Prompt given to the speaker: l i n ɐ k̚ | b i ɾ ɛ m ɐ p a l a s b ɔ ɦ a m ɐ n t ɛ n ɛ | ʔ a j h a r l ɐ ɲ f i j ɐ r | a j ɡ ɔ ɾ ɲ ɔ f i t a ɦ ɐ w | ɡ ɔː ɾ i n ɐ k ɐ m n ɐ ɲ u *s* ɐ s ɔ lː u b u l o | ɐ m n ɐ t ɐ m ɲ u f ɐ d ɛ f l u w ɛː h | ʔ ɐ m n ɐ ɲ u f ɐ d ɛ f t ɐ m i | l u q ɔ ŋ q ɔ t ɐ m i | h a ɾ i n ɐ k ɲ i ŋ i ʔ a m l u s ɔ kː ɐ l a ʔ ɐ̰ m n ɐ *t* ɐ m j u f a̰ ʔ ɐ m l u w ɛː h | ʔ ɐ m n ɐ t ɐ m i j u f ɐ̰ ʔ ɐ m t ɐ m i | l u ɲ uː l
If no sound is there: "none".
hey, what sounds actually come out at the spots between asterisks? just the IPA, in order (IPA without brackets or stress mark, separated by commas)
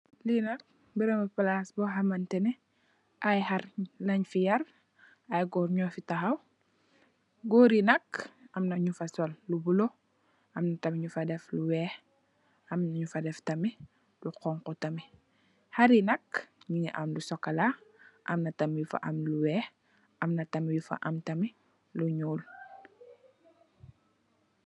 f, t